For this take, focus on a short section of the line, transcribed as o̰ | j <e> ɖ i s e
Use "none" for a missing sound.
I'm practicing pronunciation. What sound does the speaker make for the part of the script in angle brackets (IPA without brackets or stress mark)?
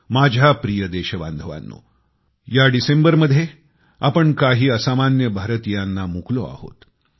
a